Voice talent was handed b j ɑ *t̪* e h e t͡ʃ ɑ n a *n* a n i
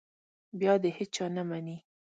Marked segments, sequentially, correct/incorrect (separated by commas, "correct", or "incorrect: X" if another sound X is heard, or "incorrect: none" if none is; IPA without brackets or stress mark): incorrect: d̪, incorrect: m